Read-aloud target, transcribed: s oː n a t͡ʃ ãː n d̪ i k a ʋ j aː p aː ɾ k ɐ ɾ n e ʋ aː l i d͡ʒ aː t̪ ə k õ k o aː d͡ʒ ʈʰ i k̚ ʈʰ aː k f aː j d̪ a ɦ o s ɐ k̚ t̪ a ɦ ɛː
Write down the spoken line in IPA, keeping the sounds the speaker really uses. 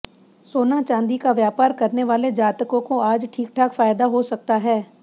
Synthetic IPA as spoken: s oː n a t͡ʃ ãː n d̪ i k a ʋ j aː p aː ɾ k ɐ ɾ n e ʋ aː l e d͡ʒ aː t̪ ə k õ k o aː d͡ʒ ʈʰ iː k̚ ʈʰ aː k f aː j d̪ a ɦ o s ɐ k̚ t̪ a ɦ ɛː